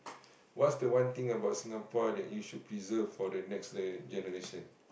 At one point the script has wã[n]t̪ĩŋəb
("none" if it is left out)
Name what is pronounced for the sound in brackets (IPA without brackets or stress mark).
n